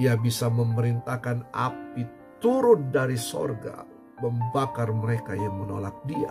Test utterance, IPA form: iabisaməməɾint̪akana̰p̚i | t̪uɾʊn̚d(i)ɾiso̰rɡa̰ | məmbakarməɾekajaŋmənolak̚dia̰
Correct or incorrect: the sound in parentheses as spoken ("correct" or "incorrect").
incorrect